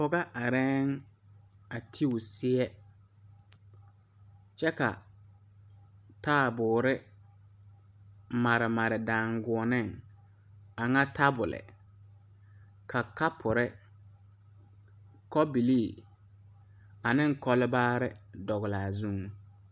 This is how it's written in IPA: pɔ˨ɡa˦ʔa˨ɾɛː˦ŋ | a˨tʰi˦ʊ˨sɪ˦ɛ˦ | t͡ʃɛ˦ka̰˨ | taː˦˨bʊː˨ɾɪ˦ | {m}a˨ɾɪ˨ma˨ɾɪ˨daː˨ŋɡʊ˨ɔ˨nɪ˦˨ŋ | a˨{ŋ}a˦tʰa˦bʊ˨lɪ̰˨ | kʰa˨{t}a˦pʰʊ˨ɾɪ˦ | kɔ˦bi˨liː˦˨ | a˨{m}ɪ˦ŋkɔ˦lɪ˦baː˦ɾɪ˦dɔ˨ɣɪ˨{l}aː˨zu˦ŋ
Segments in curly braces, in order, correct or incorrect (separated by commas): correct, correct, incorrect, incorrect, correct